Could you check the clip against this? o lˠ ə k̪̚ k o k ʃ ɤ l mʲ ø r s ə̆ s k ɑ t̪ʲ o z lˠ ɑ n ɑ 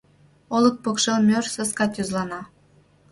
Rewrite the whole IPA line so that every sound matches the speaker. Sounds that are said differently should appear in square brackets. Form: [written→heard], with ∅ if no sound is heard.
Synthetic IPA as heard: o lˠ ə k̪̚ [k→p] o k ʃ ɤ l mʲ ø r s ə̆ s k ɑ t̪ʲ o z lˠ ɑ n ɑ